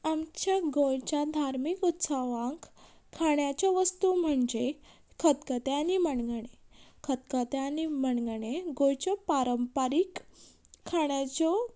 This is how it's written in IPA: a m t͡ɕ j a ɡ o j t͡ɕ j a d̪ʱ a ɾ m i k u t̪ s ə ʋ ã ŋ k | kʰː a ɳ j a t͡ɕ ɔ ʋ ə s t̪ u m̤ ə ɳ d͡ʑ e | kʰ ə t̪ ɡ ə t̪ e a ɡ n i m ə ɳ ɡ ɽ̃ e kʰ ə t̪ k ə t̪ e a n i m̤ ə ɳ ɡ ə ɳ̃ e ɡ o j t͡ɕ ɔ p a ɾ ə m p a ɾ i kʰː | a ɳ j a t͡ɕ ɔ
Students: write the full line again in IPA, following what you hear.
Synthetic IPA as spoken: a m t͡ɕ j a ɡ o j t͡ɕ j a d̪ʱ a ɾ m i k u t̪ s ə ʋ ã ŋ k | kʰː a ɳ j a t͡ɕ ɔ ʋ ə s t̪ u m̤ ə ɳ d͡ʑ e | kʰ ə t̪ k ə t̪ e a n i m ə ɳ ɡ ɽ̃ e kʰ ə t̪ k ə t̪ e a n i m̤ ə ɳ ɡ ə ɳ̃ e ɡ o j t͡ɕ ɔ p a ɾ ə m p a ɾ i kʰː | a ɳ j a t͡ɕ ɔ